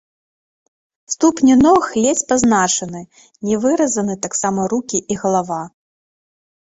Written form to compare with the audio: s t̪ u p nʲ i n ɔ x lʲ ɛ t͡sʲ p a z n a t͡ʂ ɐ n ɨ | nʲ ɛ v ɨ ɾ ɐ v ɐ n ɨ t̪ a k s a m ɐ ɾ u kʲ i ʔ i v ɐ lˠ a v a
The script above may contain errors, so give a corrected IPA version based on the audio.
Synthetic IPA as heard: s t̪ u p nʲ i n ɔ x lʲ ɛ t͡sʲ p a z n a t͡ʂ ɐ n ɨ | nʲ ɛ v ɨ ɾ ɐ z ɐ n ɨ t̪ a k s a m ɐ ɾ u kʲ i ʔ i ɣ ɐ lˠ a v a